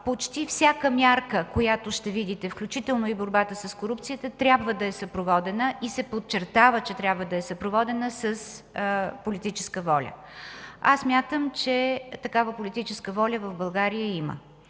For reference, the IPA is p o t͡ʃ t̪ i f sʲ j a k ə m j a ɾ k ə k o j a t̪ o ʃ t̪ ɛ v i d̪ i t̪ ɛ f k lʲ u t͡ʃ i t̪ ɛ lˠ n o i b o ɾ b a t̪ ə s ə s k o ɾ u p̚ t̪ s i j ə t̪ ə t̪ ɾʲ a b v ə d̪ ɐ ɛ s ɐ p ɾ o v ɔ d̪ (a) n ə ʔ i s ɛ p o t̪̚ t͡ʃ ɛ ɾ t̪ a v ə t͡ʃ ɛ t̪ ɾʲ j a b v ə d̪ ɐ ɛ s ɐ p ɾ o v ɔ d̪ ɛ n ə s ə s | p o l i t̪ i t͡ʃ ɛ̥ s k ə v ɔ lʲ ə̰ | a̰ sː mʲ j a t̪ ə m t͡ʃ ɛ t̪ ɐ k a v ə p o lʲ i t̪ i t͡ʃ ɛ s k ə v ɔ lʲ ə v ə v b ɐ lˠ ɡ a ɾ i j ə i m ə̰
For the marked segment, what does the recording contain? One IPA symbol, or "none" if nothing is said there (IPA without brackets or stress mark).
ɛ